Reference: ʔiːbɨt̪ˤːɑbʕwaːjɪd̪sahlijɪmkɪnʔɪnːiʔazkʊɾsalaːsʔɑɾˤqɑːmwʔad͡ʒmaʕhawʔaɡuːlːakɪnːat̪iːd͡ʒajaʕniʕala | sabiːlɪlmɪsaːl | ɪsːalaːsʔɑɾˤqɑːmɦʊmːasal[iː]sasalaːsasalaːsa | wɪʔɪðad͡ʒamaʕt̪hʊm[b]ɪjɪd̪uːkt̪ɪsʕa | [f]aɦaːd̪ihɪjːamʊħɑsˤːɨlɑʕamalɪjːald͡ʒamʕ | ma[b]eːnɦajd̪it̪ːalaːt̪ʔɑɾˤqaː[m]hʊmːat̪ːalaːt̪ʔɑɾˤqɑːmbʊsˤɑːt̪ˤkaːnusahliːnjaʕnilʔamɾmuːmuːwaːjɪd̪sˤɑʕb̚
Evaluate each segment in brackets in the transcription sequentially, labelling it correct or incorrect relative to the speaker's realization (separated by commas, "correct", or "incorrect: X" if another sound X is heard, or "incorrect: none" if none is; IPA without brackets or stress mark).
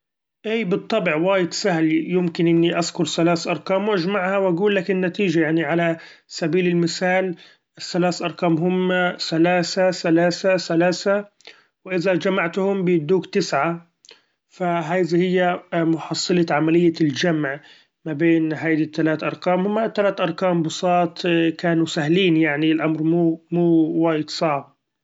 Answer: incorrect: aː, correct, correct, correct, correct